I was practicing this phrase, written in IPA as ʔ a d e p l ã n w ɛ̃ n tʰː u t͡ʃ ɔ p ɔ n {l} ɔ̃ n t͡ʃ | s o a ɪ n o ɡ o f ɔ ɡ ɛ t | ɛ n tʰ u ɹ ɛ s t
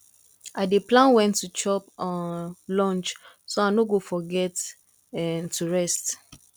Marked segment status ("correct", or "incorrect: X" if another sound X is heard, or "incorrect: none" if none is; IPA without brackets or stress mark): correct